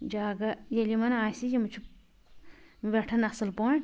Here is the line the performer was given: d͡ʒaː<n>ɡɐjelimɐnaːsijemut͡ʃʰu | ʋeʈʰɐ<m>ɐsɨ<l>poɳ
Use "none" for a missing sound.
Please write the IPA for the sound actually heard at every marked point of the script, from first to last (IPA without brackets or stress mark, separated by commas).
none, n, l